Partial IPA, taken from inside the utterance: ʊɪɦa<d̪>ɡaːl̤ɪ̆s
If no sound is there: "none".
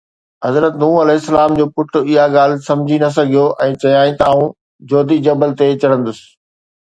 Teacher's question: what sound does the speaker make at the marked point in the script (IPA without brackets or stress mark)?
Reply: none